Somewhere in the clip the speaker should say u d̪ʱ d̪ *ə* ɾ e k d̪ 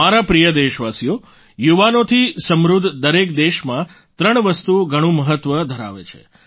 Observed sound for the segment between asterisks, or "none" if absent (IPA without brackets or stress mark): ə